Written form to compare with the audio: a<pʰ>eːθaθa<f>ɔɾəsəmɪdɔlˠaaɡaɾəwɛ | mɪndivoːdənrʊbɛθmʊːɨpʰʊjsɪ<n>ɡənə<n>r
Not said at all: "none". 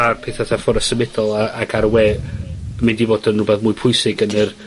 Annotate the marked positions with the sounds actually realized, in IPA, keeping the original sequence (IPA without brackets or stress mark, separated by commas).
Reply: pʰ, f, none, none